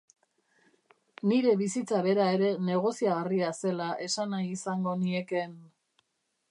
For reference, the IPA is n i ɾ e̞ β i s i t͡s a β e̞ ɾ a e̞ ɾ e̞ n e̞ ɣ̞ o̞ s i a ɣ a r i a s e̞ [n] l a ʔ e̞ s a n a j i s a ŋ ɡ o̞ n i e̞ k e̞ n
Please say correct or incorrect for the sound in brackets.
incorrect